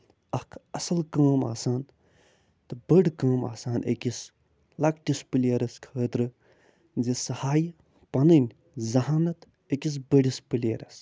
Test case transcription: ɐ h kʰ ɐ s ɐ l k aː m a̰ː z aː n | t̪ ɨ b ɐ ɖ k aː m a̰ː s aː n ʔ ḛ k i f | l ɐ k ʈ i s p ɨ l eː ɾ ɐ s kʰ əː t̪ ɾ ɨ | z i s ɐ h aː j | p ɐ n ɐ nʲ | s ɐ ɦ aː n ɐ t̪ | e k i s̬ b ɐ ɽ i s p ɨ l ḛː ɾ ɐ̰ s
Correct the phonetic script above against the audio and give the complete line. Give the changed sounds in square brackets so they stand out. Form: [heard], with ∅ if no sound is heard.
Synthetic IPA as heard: ɐ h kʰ ɐ s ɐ l k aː m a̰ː [s] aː n | t̪ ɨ b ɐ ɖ k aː m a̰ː s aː n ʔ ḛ k i [s] | l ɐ k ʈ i s p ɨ l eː ɾ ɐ s kʰ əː t̪ ɾ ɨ | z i s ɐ h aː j | p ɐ n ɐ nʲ | [z] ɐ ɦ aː n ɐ t̪ | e k i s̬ b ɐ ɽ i s p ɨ l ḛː ɾ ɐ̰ s